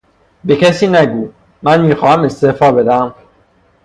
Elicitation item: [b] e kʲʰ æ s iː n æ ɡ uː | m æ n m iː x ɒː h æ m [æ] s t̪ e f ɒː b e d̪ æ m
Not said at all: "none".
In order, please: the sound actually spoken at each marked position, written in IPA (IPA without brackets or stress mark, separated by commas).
b, e